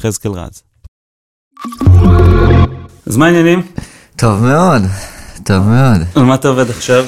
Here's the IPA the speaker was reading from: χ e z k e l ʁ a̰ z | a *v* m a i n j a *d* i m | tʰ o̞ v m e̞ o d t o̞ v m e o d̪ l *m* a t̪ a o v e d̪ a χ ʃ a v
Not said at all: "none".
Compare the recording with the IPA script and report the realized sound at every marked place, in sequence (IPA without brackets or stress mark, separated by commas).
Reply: z, n, m